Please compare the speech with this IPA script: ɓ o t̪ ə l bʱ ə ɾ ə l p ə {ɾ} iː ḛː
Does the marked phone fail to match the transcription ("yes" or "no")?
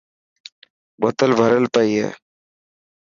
yes